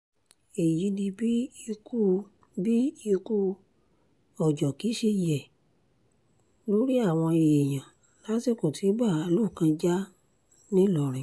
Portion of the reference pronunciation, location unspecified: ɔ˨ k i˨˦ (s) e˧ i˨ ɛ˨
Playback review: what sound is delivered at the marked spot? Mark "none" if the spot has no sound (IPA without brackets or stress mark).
ʃ